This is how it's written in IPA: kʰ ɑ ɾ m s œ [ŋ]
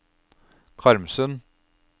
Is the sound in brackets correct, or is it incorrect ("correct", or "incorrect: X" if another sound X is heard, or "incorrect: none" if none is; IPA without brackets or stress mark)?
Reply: incorrect: n